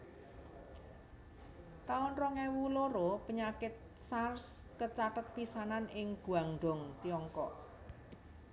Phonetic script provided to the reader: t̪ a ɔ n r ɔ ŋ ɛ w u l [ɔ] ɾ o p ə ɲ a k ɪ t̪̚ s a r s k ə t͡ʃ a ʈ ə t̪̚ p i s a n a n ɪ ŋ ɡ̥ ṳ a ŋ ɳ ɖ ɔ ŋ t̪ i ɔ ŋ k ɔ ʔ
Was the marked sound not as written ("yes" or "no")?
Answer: yes